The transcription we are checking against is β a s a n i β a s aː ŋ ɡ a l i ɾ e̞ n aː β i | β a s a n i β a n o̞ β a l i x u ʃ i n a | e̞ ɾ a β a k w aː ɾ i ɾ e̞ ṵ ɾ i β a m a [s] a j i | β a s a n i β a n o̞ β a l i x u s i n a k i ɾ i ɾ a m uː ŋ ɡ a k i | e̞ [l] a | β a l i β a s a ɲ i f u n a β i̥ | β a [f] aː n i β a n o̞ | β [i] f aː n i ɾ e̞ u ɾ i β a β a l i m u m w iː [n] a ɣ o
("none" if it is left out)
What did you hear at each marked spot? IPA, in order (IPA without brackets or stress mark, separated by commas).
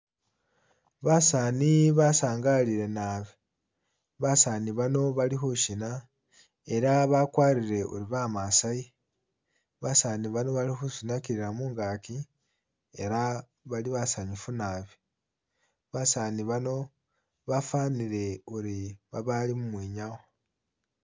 s, ɾ, s, a, ɲ